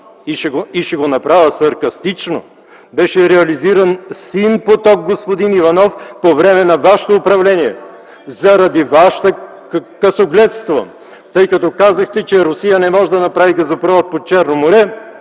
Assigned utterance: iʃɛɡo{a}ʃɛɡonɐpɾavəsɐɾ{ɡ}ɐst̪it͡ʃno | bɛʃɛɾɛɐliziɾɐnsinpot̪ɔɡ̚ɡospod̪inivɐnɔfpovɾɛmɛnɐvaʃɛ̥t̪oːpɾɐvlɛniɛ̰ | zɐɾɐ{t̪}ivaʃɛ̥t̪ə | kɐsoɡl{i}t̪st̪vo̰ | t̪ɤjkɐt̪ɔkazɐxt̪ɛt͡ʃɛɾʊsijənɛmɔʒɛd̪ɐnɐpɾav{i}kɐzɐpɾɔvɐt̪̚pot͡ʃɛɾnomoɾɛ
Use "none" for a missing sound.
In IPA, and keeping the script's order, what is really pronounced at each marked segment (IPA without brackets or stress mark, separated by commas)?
i, k, d̪, ɛ, i